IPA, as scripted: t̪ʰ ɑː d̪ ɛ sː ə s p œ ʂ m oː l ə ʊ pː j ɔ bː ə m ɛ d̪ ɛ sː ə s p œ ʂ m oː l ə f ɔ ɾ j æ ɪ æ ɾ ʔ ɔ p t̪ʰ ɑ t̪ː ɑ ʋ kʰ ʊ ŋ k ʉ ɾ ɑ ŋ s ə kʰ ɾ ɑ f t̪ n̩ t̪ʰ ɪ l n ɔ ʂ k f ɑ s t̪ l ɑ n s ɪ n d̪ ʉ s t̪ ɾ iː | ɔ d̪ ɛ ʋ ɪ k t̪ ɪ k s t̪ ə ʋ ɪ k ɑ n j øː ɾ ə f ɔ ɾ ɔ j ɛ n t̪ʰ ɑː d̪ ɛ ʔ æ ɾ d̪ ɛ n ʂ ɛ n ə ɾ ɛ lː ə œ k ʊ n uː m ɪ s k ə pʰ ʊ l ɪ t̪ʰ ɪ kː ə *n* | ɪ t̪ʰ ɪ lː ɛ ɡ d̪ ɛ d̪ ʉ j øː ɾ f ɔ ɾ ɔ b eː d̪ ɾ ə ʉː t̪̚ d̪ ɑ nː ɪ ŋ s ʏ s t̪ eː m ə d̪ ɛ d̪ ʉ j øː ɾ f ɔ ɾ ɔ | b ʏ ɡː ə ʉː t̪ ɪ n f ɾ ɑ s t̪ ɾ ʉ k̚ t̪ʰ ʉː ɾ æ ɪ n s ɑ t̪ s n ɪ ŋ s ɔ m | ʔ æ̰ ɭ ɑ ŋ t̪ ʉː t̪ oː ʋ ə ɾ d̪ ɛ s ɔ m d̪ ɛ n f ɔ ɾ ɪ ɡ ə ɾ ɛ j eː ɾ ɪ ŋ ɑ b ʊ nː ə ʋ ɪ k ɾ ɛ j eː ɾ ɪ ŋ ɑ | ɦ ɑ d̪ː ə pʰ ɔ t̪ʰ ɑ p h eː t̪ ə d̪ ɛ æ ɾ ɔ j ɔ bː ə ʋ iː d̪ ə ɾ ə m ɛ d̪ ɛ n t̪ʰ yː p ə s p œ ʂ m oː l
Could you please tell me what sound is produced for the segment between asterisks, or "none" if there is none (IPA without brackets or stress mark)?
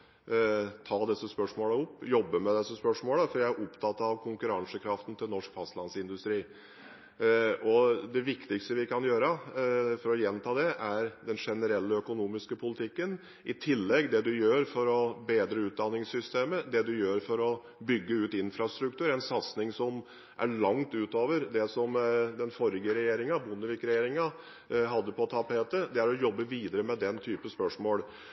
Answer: n